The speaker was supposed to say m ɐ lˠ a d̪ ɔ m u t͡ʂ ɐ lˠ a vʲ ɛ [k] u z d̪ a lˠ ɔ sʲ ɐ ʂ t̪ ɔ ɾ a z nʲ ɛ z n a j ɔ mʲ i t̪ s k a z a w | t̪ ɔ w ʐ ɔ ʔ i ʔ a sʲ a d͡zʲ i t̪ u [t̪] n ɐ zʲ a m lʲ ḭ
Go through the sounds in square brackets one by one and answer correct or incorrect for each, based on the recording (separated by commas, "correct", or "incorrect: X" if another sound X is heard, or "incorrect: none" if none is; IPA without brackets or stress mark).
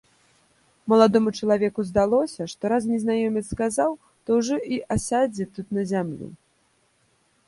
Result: correct, correct